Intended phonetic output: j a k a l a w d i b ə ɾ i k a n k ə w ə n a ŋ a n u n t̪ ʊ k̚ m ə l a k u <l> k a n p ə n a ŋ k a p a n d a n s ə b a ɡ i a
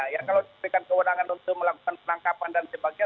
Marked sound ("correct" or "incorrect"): incorrect